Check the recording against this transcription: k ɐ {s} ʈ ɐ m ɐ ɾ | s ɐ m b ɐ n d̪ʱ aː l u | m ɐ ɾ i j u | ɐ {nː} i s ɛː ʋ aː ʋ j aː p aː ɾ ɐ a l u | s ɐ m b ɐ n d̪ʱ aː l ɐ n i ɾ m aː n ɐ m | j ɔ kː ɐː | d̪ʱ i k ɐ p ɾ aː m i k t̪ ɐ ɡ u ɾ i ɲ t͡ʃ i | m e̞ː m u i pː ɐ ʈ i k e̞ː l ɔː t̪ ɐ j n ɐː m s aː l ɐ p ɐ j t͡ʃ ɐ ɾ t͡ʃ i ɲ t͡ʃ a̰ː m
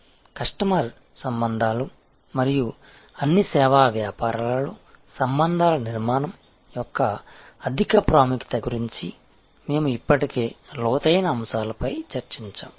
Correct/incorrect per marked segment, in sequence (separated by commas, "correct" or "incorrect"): incorrect, correct